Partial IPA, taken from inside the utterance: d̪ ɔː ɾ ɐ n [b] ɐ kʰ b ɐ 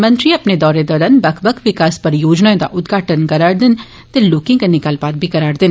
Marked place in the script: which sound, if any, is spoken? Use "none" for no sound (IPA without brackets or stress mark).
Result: b